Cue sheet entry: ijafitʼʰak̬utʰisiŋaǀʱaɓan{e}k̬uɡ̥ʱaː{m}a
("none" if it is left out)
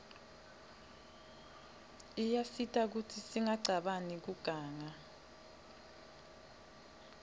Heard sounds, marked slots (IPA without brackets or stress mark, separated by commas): i, ŋ